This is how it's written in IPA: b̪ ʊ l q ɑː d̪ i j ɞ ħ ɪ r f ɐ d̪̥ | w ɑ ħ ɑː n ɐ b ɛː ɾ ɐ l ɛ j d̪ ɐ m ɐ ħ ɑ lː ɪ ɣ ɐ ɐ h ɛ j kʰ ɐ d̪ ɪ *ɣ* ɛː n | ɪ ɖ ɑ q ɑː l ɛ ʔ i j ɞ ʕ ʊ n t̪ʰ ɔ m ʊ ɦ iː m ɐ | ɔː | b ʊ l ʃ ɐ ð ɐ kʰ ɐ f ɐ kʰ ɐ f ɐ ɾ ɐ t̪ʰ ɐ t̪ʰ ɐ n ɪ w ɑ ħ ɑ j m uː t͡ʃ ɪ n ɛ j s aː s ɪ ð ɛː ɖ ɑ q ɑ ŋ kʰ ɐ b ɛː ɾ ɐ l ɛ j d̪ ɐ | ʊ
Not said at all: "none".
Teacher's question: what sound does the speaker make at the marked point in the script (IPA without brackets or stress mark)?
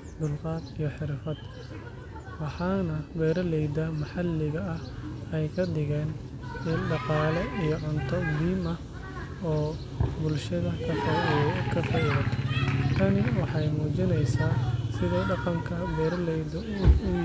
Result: ɣ